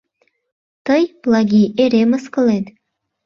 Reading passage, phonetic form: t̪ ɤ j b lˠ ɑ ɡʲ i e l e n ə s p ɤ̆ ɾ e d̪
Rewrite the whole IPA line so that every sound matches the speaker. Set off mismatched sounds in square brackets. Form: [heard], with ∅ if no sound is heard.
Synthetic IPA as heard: t̪ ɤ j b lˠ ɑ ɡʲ i e [ɾ] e [m] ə s [k] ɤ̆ [l] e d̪